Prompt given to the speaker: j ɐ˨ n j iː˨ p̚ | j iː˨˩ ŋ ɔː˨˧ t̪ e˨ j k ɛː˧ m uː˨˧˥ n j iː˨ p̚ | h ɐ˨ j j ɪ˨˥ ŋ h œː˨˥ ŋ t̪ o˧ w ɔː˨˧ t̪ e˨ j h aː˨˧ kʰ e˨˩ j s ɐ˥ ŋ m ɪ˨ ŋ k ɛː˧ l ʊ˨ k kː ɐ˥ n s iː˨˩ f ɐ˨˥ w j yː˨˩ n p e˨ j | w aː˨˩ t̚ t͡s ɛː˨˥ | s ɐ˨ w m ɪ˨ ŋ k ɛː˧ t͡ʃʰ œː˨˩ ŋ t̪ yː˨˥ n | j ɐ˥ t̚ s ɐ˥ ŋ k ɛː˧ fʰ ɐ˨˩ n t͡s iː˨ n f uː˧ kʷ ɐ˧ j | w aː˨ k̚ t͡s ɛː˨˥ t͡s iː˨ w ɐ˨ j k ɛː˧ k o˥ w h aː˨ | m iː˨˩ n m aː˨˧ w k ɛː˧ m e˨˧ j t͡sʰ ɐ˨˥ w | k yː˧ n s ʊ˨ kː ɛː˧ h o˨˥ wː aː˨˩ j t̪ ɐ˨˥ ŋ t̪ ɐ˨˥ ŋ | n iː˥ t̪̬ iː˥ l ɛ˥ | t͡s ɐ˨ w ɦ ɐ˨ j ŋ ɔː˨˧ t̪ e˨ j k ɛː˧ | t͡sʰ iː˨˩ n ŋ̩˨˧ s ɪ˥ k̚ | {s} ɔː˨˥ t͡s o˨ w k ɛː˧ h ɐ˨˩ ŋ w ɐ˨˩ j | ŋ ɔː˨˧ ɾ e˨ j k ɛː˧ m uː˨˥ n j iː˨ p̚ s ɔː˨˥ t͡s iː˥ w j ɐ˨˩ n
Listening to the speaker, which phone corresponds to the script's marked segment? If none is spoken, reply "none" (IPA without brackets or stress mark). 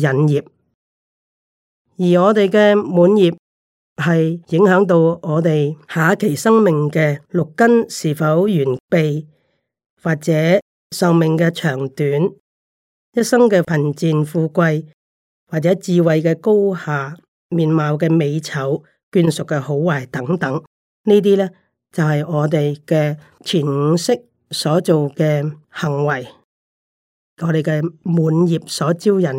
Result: s